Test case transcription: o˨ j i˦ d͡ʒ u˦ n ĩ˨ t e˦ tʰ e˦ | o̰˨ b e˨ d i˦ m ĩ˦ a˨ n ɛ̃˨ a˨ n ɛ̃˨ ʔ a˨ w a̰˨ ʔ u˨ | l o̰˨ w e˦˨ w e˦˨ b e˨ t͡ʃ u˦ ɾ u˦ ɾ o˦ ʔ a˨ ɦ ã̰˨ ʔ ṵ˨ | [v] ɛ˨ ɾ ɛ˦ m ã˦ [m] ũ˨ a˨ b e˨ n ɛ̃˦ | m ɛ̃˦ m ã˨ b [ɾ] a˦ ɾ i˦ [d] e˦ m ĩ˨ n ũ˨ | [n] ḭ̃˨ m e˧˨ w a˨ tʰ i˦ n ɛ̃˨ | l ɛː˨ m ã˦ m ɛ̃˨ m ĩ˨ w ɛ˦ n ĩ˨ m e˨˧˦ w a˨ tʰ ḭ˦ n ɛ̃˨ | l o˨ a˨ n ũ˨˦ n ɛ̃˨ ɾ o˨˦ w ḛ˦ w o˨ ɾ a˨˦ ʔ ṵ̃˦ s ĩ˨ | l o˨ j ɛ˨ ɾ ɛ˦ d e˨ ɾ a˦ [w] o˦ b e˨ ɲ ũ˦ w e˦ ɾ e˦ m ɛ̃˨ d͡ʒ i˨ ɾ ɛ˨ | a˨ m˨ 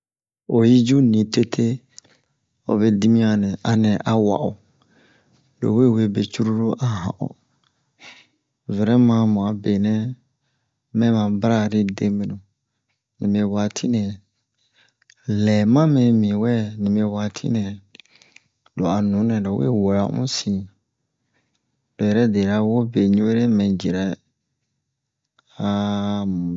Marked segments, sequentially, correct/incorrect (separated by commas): correct, correct, correct, correct, correct, correct